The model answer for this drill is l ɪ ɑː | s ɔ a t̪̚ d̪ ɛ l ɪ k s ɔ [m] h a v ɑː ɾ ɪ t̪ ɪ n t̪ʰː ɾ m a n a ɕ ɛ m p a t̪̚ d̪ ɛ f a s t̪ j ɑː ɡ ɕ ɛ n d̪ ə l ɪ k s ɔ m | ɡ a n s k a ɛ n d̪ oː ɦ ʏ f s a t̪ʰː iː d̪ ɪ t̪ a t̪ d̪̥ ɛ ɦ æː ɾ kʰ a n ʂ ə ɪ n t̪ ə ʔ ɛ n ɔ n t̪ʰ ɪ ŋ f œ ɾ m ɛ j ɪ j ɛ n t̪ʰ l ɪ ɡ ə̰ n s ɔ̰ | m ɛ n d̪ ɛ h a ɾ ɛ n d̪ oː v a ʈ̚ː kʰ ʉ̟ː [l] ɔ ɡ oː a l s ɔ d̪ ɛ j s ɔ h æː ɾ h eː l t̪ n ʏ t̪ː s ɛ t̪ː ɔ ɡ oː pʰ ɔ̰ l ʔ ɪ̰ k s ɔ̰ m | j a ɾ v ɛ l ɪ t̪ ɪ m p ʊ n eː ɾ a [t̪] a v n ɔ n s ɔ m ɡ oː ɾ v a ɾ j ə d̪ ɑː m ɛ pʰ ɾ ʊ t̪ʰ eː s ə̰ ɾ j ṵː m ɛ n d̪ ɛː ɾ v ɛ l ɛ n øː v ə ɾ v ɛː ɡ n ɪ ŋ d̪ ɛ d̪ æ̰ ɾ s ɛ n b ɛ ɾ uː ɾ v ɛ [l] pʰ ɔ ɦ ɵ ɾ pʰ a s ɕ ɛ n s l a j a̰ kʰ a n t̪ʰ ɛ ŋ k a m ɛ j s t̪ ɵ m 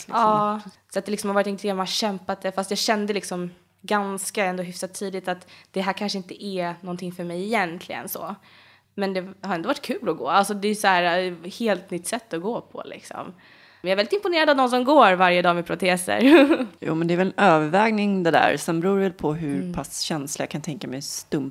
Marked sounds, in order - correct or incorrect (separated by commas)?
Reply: correct, correct, incorrect, correct